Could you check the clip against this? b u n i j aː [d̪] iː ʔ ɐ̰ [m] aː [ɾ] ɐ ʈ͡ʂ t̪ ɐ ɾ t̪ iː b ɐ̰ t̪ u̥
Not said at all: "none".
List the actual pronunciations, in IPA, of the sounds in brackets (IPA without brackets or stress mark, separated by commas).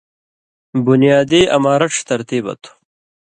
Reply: d̪, m, ɾ